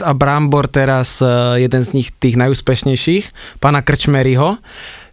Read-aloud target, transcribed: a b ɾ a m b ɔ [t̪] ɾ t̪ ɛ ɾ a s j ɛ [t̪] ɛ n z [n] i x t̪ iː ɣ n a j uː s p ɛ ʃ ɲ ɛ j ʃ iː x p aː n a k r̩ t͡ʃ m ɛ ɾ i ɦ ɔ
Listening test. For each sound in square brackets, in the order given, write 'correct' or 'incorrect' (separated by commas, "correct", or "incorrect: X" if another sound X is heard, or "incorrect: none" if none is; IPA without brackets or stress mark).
incorrect: none, incorrect: d̪, incorrect: ɲ